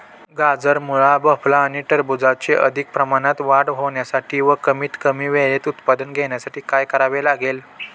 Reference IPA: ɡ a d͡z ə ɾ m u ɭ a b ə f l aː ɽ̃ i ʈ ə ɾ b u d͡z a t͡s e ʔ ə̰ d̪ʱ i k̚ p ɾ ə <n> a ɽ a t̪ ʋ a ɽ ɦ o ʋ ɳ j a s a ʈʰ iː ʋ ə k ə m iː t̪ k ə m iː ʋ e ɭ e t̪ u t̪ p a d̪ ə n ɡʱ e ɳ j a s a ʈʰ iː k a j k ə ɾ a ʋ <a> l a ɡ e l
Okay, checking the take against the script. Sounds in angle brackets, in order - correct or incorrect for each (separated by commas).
incorrect, incorrect